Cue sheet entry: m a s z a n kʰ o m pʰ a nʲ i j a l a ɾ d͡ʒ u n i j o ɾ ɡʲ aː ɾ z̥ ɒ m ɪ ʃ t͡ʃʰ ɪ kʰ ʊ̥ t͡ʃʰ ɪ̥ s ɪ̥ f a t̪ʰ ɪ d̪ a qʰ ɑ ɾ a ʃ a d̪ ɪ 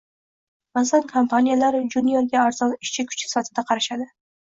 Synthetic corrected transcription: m a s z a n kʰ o m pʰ a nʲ i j a l a ɾ d͡ʒ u n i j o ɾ ɡʲ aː ɾ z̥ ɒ n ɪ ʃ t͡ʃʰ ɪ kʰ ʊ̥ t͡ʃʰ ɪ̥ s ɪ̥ f a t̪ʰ ɪ d̪ a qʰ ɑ ɾ a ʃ a d̪ ɪ

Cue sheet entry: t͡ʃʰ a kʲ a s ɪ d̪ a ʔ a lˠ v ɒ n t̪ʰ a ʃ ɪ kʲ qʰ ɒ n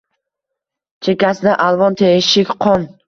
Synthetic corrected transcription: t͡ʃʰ e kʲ a s ɪ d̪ a ʔ a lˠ v ɒ n t̪ʰ e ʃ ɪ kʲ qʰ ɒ n

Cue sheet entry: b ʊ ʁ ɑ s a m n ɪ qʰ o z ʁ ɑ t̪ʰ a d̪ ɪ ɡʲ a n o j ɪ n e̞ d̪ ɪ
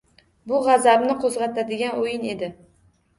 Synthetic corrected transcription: b ʊ ʁ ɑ z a b n ɪ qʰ o z ʁ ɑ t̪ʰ a d̪ ɪ ɡʲ a n o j ɪ n e̞ d̪ ɪ

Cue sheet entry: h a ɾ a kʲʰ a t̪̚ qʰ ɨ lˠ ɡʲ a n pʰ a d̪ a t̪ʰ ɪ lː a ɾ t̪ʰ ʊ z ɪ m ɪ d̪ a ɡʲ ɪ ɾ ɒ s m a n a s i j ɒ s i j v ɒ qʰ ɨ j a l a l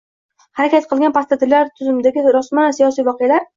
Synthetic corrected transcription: h a ɾ a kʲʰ a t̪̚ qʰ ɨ lˠ ɡʲ a n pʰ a t̪ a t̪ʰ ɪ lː a ɾ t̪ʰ ʊ z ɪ m ɪ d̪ a ɡʲ ɪ ɾ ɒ s m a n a s i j ɒ s i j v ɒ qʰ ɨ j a l a ɾ

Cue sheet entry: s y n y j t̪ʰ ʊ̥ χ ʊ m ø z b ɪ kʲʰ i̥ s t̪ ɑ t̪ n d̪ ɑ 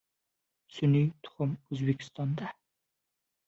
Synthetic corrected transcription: s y n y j t̪ʰ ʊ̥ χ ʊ m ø z b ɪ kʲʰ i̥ s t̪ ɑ n d̪ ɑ

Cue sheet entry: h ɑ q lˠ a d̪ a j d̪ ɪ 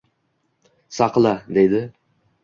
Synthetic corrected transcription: s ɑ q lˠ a d̪ e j d̪ ɪ

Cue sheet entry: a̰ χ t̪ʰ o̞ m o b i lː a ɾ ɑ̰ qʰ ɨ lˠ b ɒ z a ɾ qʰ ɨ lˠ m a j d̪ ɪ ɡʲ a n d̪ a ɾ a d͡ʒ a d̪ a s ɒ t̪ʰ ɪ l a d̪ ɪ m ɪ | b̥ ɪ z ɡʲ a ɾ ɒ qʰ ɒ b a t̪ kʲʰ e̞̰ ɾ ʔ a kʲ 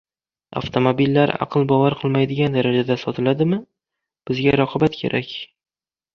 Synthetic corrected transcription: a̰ f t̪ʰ o̞ m o b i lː a ɾ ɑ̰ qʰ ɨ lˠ b ɒ v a ɾ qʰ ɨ lˠ m a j d̪ ɪ ɡʲ a n d̪ a ɾ a d͡ʒ a d̪ a s ɒ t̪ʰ ɪ l a d̪ ɪ m ɪ | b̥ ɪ z ɡʲ a ɾ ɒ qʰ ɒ b a t̪ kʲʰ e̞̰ ɾ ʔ a kʲ

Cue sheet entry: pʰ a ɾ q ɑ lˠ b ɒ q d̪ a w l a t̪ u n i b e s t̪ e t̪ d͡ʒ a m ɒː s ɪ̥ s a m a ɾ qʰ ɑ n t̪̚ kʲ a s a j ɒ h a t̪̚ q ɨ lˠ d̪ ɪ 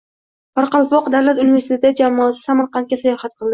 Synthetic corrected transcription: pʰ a ɾ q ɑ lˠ p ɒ q d̪ a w l a t̪ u n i v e s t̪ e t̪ d͡ʒ a m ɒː s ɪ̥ s a m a ɾ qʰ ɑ n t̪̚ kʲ a s a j ɒ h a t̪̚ q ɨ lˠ d̪ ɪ

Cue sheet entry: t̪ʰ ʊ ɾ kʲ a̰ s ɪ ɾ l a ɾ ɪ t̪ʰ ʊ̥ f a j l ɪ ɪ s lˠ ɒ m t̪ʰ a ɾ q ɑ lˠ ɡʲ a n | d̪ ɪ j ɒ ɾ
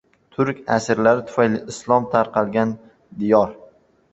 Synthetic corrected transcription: t̪ʰ ʊ ɾ kʲ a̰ s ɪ ɾ l a ɾ ɪ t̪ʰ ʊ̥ f a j l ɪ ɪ s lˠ ɒ m t̪ʰ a ɾ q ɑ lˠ ɡʲ a n | d̪ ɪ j ɒ ɾ

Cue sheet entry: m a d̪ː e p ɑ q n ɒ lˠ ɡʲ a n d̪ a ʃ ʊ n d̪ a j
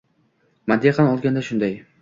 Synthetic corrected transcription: m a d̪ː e q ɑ n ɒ lˠ ɡʲ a n d̪ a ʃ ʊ n d̪ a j

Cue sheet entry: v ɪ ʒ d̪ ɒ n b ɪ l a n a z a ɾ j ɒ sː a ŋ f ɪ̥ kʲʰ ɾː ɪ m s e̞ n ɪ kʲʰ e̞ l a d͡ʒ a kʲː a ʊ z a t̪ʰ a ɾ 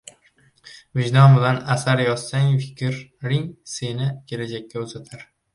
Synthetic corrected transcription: v ɪ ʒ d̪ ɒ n b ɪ l a n a s a ɾ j ɒ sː a ŋ f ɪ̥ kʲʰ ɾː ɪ ŋ s e̞ n ɪ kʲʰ e̞ l a d͡ʒ a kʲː a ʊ z a t̪ʰ a ɾ

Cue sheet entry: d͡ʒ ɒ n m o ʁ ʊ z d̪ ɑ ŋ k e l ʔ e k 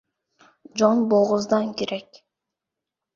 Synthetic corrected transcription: d͡ʒ o n b o ʁ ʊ z d̪ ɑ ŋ k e ɾ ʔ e k

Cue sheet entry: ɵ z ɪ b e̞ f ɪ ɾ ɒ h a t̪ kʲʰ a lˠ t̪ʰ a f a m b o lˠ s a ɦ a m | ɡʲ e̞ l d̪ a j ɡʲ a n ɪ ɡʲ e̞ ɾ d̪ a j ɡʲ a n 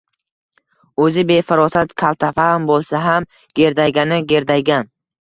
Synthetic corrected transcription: ɵ z ɪ b e̞ f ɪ ɾ ɒ s a t̪ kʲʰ a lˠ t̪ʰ a f a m b o lˠ s a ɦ a m | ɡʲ e̞ ɾ d̪ a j ɡʲ a n ɪ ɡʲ e̞ ɾ d̪ a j ɡʲ a n

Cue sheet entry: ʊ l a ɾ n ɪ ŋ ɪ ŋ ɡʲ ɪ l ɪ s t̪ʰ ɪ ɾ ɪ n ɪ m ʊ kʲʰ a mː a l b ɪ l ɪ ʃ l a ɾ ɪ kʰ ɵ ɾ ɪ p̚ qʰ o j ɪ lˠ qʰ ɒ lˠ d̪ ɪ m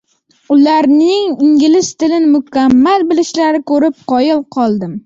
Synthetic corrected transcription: ʊ l a ɾ n ɪ ŋ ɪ ŋ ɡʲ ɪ l ɪ s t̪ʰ ɪ l ɪ n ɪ m ʊ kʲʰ a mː a l b ɪ l ɪ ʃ l a ɾ ɪ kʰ ɵ ɾ ɪ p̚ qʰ ɒ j ɪ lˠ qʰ ɒ lˠ d̪ ɪ m

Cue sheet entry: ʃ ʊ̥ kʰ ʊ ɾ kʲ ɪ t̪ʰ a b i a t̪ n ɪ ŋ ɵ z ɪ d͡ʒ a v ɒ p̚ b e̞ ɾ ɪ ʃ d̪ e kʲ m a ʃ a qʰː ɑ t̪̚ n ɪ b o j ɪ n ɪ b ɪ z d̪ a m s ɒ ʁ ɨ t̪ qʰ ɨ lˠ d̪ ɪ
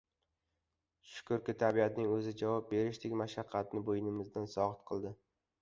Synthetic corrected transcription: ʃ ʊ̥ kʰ ʊ ɾ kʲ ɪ t̪ʰ a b i a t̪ n ɪ ŋ ɵ z ɪ d͡ʒ a v ɒ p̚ b e̞ ɾ ɪ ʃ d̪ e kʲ m a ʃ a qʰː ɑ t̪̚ n ɪ b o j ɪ n ɪ m ɪ z d̪ a n s ɒ ʁ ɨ t̪ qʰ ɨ lˠ d̪ ɪ

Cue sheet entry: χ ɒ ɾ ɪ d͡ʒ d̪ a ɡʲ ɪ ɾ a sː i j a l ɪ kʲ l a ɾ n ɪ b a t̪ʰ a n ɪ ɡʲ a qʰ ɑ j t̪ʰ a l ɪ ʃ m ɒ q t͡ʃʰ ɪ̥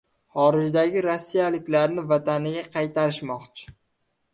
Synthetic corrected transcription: χ ɒ ɾ ɪ d͡ʒ d̪ a ɡʲ ɪ ɾ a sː i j a l ɪ kʲ l a ɾ n ɪ v a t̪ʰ a n ɪ ɡʲ a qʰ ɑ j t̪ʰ a ɾ ɪ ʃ m ɒ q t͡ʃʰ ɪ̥

